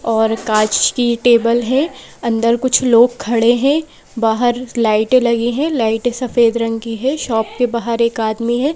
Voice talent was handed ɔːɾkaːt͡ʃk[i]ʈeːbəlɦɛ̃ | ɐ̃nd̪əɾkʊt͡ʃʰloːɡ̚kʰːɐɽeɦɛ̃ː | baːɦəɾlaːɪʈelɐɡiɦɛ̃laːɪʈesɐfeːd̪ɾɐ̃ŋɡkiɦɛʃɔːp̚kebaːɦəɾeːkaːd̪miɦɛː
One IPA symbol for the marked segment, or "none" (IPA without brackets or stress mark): i